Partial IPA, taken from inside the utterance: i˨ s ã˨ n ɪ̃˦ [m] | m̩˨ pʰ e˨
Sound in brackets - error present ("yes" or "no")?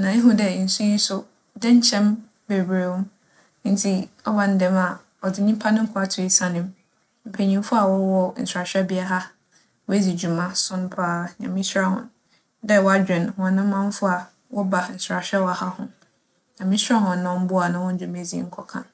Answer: no